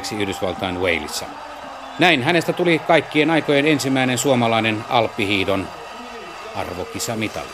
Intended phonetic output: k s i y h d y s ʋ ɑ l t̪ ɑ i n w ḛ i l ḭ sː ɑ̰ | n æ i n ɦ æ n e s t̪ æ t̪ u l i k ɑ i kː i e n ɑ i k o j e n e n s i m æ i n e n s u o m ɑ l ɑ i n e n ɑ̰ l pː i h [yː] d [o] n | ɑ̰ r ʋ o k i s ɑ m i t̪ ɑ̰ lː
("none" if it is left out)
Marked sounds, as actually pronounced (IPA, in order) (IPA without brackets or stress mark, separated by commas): iː, o